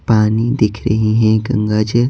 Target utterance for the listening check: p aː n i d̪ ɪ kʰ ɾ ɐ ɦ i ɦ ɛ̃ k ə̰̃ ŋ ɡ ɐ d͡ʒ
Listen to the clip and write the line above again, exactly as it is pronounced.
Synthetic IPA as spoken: p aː n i d̪ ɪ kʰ ɾ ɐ ɦ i ɦ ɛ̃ ɡ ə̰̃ ŋ ɡ a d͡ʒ